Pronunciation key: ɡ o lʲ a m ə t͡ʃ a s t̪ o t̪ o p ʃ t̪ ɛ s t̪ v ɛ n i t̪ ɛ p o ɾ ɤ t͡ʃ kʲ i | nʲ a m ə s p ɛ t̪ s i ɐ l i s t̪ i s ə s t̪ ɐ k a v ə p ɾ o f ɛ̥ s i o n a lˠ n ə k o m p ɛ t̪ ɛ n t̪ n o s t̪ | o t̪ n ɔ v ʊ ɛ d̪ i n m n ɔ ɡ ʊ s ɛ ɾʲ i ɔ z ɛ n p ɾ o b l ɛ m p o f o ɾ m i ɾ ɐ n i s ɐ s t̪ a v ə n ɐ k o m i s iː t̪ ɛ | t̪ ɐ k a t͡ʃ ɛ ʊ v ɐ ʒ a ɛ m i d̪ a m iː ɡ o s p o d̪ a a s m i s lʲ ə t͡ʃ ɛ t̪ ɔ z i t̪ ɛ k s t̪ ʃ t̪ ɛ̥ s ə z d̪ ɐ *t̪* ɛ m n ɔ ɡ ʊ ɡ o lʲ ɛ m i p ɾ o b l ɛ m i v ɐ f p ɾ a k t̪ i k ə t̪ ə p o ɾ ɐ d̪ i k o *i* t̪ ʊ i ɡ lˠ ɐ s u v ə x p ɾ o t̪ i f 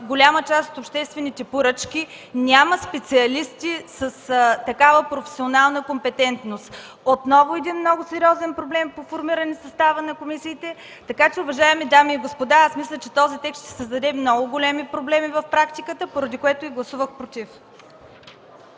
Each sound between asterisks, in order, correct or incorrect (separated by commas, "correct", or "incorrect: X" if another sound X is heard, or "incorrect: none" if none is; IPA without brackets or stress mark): incorrect: d̪, incorrect: ɛ